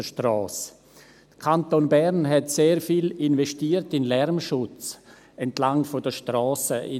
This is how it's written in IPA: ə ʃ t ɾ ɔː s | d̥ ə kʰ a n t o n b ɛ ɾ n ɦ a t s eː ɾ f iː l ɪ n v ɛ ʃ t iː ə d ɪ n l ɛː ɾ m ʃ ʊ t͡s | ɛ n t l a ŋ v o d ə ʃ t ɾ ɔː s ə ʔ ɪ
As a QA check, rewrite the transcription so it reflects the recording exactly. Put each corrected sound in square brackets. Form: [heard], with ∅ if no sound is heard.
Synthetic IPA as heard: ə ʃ t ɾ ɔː s | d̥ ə kʰ a n t o n b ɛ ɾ n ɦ [ɛ] t s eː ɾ f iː l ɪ n v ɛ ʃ t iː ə [t] ɪ n l [ɛ] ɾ m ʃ ʊ t͡s | ɛ n t l a ŋ [f] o d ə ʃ t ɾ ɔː s ə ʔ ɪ